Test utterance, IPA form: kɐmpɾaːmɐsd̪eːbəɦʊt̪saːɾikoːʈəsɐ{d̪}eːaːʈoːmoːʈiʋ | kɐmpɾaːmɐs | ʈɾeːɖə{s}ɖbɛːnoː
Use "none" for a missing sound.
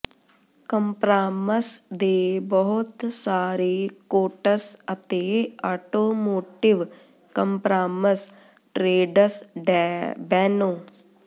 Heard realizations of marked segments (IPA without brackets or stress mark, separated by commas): t̪, s